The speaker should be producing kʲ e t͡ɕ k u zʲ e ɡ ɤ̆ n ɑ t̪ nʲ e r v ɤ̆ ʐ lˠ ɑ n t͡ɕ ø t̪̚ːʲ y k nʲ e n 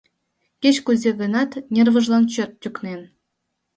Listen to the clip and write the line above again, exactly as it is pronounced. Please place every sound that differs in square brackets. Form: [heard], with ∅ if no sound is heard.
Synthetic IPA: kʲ e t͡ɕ k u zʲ e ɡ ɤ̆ n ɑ t̪ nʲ e r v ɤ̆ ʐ lˠ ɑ n t͡ɕ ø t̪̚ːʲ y k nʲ e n

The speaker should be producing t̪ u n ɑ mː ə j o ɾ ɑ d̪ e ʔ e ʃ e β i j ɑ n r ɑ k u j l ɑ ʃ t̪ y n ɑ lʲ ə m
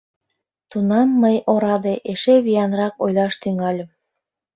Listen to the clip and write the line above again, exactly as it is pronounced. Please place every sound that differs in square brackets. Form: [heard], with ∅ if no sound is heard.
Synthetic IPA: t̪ u n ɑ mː ə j o ɾ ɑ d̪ e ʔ e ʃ e β i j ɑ n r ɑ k [o] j l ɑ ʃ t̪ y [ŋ] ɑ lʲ ə m

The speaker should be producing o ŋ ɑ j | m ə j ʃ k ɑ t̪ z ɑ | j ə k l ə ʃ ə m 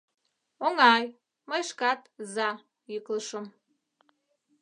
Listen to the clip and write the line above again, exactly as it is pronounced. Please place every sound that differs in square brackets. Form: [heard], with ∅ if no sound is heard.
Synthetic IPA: o ŋ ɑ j | m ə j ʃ k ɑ t̪ z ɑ | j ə k l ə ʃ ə m

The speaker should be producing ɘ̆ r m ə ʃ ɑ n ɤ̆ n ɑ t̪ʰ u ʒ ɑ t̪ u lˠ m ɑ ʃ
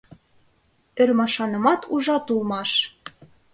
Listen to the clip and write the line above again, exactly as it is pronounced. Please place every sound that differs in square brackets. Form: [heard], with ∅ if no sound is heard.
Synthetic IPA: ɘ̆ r m [ɑ] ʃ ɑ n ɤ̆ [m] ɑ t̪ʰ u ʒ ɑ t̪ u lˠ m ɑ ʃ

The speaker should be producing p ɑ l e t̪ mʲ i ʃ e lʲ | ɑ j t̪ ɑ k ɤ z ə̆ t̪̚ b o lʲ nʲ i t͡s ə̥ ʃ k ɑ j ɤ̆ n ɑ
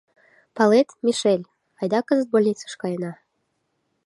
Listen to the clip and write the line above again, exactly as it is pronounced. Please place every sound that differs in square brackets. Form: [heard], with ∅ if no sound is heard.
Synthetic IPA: p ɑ l e t̪ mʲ i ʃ e lʲ | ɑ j [d̪] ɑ k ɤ z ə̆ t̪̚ b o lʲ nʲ i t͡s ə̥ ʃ k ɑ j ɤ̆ n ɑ

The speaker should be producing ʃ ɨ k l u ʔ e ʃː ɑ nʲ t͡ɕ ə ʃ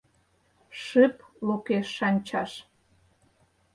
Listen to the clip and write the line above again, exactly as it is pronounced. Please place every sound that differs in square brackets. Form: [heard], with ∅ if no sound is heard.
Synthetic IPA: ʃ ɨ [p] l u [k] e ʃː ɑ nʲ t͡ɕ [ɑ] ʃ

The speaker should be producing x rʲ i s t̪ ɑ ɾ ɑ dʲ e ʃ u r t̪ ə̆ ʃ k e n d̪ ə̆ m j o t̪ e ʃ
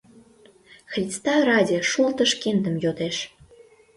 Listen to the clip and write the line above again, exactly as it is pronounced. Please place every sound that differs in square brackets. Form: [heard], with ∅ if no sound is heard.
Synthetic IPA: x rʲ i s t̪ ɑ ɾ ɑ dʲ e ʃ u [l] t̪ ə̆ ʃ k e n d̪ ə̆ m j o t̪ e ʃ

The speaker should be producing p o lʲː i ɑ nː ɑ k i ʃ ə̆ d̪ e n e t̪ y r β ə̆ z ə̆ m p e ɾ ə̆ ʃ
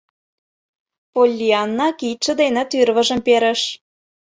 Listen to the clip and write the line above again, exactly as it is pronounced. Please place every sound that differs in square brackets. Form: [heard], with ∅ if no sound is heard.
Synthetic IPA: p o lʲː i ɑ nː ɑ k i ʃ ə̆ d̪ e n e t̪ y r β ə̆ [ʒ] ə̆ m p e ɾ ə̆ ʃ

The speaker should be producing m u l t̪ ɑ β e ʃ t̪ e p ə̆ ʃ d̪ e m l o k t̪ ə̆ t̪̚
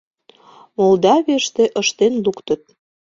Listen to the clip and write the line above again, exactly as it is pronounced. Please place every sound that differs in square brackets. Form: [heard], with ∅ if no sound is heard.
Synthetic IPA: m [o] l [d̪] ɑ β e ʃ t̪ e [ʔ] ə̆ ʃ [t̪] e [n] l [u] k t̪ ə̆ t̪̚

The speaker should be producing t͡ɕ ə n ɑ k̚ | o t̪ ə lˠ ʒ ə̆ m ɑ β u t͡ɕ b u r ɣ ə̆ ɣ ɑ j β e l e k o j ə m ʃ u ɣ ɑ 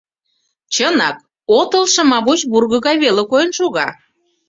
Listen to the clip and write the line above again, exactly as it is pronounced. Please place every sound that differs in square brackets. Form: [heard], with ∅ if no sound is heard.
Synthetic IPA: t͡ɕ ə n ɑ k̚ | o t̪ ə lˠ [ʃ] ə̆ m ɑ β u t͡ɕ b u r ɣ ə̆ ɣ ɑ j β e l e k o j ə [n] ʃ u ɣ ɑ

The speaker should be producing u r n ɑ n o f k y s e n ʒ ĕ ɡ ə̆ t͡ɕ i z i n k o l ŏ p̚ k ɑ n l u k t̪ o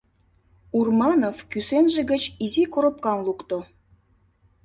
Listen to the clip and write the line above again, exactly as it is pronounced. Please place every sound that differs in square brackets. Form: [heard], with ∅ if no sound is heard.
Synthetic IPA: u r [m] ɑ n o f k y s e n ʒ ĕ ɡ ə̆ t͡ɕ i z i [∅] k o [ɾ] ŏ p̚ k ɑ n l u k t̪ o

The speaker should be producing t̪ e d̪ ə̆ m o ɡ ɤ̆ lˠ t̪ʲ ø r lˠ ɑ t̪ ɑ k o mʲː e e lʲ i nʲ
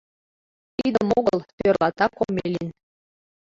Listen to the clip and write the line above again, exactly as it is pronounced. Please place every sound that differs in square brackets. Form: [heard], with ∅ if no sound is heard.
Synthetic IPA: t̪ [i] d̪ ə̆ m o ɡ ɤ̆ lˠ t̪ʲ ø r lˠ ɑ t̪ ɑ k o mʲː e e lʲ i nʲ

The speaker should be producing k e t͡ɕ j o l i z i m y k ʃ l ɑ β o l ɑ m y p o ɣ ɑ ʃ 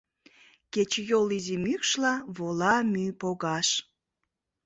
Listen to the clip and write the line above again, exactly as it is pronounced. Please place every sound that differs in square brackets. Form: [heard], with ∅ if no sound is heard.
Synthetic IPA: k e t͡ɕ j o l i z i m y k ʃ l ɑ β o l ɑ m y p o ɣ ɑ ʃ

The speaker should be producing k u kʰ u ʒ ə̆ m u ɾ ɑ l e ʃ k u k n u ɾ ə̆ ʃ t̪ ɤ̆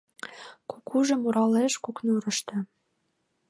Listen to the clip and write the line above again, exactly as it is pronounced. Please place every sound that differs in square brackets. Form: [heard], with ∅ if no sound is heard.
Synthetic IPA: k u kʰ u ʒ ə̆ m u ɾ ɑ l e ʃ k u k n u ɾ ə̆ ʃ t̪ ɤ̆

